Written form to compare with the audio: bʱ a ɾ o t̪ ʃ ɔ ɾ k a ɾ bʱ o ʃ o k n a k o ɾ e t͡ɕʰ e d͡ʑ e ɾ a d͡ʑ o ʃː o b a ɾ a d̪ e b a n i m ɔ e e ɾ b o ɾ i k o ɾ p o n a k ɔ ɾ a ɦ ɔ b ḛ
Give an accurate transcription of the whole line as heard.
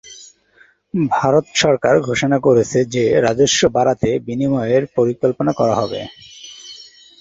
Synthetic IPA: bʱ a ɾ o t̪ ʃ ɔ ɾ k a ɾ ɡʱ o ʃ o n a k o ɾ e t͡ɕʰ e d͡ʑ e ɾ a d͡ʑ o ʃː o b a ɾ a t̪ e b i n i m ɔ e e ɾ p o ɾ i k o l p o n a k ɔ ɾ a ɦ ɔ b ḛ